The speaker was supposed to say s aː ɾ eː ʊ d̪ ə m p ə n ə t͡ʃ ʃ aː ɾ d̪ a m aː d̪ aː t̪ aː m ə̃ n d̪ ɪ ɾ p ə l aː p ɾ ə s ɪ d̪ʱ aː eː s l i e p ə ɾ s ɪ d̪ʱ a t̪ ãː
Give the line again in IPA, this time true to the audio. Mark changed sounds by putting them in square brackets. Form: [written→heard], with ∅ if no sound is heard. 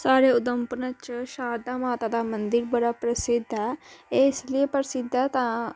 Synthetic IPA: s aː ɾ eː ʊ d̪ ə m p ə n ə t͡ʃ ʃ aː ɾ d̪ a m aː [d̪→t̪] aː [t̪→d̪] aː m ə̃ n d̪ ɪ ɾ [p→b] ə [l→ɽ] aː p ɾ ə s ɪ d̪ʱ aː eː s l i e p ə ɾ s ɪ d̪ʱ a t̪ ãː